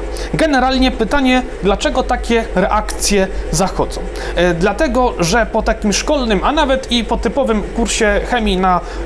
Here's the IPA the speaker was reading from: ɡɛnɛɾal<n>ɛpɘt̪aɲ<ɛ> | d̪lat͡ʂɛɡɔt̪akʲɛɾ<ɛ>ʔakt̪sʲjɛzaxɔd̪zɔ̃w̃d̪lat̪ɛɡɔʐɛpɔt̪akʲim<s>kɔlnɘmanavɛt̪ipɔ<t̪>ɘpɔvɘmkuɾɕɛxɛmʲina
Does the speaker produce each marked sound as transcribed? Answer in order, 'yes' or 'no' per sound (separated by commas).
no, yes, yes, no, yes